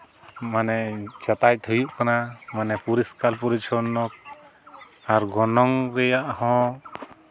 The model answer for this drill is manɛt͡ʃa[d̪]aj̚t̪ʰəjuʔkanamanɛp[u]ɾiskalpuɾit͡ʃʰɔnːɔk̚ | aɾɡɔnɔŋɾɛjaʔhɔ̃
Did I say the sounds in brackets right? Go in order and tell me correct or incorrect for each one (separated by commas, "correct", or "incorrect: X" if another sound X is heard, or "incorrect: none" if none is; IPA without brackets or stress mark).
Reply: incorrect: t̪, correct